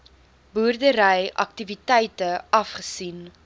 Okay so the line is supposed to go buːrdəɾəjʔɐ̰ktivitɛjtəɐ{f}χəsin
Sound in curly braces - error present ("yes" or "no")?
no